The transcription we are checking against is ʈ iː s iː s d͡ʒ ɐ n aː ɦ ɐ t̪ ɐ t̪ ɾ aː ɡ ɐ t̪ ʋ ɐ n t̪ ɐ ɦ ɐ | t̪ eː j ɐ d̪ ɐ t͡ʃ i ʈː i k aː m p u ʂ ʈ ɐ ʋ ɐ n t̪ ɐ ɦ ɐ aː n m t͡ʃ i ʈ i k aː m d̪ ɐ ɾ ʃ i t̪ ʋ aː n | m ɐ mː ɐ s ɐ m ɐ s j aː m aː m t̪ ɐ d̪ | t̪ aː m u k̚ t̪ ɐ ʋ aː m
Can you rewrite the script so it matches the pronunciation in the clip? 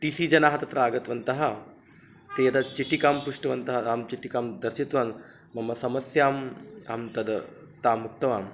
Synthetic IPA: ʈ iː s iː d͡ʒ ɐ n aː ɦ ɐ t̪ ɐ t̪ ɾ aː ɡ ɐ t̪ ʋ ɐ n t̪ ɐ ɦ ɐ | t̪ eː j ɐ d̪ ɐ t͡ʃ i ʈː i k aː m p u ʂ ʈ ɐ ʋ ɐ n t̪ ɐ ɦ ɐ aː m t͡ʃ i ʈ i k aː m d̪ ɐ ɾ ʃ i t̪ ʋ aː n | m ɐ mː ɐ s ɐ m ɐ s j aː m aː m t̪ ɐ d̪ | t̪ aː m u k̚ t̪ ɐ ʋ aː m